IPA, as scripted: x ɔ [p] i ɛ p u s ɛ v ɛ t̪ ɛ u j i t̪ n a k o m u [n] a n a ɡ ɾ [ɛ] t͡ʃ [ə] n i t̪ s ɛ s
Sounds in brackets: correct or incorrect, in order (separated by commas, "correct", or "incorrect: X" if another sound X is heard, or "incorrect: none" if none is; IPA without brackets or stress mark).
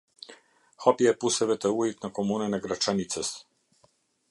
correct, correct, incorrect: a, incorrect: a